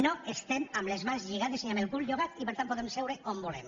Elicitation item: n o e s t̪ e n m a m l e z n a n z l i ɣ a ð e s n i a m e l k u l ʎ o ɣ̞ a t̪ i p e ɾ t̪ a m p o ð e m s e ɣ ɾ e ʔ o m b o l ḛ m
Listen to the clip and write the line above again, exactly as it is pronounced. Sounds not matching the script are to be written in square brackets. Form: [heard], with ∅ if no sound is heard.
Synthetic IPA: n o e s t̪ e [∅] m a m l e z [m] a n z [ʎ] i ɣ a ð e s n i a m e l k u l ʎ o ɣ̞ a t̪ i p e ɾ t̪ a m p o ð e m s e [w] ɾ e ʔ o m b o l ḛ m